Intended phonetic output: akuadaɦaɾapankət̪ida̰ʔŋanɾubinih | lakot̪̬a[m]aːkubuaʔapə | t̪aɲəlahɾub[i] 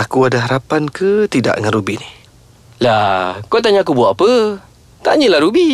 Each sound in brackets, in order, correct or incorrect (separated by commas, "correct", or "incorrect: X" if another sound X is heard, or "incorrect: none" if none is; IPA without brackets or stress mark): incorrect: ɲ, correct